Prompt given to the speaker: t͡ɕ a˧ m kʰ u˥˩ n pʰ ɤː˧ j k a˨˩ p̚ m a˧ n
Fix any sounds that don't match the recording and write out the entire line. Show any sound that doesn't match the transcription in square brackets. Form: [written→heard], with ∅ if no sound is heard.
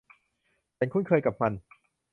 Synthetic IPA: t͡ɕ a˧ [m→n] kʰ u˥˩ n [pʰ→kʰ] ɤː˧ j k a˨˩ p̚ m a˧ n